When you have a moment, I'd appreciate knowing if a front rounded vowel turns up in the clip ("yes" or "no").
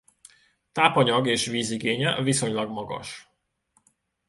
no